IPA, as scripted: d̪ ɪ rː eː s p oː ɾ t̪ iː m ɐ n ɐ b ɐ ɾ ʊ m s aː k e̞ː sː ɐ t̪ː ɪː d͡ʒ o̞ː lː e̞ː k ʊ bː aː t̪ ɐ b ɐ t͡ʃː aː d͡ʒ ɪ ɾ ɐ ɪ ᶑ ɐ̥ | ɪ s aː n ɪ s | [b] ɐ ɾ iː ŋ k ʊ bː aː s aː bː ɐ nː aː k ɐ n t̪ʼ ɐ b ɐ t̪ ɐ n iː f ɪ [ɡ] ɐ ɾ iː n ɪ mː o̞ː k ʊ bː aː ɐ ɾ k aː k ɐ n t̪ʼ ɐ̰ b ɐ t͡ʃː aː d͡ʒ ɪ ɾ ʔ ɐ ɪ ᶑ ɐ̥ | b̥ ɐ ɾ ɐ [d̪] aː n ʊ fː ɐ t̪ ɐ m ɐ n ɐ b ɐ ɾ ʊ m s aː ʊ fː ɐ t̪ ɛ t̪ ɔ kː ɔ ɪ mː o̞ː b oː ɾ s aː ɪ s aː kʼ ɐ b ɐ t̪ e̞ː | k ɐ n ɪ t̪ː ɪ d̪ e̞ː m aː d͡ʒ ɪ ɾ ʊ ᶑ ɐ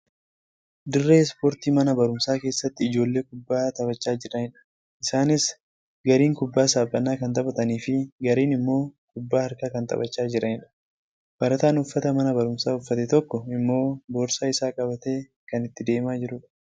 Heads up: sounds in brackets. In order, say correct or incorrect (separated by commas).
incorrect, correct, incorrect